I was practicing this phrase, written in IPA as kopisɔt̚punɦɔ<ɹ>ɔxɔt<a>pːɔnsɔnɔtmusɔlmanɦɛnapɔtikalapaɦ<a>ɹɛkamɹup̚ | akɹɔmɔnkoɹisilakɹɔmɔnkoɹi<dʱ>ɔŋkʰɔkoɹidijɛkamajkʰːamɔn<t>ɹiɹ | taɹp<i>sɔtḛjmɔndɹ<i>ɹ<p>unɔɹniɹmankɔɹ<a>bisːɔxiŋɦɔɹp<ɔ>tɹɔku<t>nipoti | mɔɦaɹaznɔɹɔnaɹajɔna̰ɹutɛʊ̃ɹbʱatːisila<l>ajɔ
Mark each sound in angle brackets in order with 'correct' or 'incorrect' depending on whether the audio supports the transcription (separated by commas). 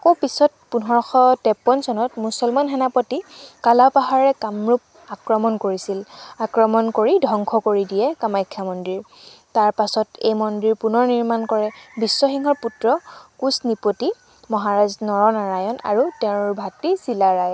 correct, incorrect, correct, correct, incorrect, incorrect, correct, correct, incorrect, incorrect, incorrect, incorrect